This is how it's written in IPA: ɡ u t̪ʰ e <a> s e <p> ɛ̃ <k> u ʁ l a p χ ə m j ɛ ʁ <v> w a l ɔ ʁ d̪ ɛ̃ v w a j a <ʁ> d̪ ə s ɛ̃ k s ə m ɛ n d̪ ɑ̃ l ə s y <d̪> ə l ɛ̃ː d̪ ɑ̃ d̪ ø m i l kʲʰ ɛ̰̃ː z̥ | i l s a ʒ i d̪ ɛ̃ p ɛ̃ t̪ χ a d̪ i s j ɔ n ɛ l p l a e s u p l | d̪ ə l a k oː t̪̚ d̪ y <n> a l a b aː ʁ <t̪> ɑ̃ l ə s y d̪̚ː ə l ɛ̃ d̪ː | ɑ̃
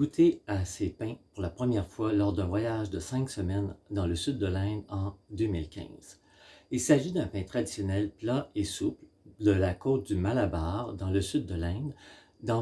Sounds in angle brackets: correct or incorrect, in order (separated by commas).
correct, correct, incorrect, incorrect, incorrect, incorrect, incorrect, incorrect